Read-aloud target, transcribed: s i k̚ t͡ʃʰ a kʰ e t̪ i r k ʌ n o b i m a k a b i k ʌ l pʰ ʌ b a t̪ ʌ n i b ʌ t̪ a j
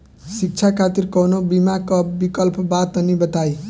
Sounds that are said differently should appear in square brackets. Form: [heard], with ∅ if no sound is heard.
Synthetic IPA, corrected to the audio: s i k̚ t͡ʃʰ a kʰ [a] t̪ i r k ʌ n o b i m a k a b i k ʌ l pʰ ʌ b a t̪ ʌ n i b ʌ t̪ a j